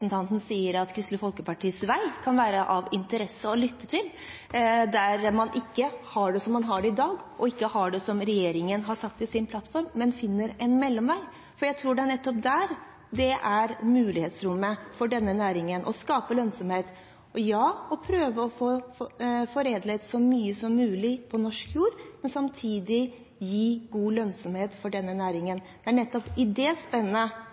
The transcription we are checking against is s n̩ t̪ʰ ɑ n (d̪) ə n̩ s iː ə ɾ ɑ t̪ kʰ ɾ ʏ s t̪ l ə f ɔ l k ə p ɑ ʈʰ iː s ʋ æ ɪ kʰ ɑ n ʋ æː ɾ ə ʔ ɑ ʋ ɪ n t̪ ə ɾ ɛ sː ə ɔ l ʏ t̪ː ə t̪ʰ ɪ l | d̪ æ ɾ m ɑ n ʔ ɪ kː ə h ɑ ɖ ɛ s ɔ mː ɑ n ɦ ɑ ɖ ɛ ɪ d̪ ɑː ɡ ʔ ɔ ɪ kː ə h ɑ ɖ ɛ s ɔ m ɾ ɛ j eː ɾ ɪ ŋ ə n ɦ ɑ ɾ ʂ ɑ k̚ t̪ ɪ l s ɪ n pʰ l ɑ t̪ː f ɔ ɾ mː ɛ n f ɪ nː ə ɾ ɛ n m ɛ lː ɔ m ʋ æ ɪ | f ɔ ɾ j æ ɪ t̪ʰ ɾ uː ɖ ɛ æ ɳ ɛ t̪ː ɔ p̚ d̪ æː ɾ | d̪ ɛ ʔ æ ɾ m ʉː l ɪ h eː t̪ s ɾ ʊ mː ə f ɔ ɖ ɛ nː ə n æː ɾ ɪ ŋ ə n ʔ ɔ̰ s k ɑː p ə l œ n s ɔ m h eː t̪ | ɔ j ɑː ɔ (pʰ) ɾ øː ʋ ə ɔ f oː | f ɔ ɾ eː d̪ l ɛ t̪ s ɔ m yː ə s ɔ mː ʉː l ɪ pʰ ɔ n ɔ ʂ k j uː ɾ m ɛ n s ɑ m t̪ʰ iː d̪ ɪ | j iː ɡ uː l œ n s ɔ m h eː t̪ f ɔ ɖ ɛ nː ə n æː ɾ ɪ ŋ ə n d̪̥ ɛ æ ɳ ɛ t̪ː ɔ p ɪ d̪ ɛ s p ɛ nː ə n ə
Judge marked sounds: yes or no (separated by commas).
no, yes